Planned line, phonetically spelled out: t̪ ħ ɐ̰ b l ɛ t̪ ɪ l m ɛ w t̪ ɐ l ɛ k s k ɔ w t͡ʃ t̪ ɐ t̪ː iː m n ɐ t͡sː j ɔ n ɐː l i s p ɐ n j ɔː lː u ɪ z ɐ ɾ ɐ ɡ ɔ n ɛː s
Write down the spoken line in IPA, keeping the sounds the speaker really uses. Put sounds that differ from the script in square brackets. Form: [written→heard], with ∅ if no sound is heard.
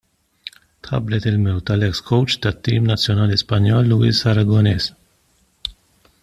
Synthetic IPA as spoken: t̪ ħ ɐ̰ b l ɛ t̪ ɪ l m ɛ w t̪ ɐ l ɛ k s k ɔ w t͡ʃ t̪ ɐ t̪ː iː m n ɐ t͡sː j ɔ n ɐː l i s p ɐ n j ɔː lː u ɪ [z→s] ɐ ɾ ɐ ɡ ɔ n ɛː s